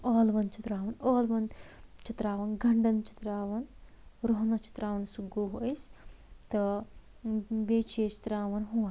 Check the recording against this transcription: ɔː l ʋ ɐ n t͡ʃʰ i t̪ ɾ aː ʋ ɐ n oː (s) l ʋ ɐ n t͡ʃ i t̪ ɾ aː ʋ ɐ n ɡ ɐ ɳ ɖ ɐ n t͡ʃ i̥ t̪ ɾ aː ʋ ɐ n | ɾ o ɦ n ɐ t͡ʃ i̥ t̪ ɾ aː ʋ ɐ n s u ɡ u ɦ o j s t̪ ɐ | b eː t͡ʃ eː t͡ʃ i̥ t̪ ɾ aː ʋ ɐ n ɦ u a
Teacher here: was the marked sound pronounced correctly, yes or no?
no